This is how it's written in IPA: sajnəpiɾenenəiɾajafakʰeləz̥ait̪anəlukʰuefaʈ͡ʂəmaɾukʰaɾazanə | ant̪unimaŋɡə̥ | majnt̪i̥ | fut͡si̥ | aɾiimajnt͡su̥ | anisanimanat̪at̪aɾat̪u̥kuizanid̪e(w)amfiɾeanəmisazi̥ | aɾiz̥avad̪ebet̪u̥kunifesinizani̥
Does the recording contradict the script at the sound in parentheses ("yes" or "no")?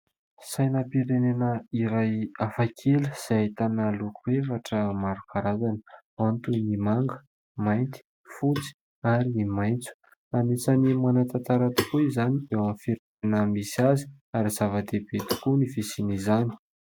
no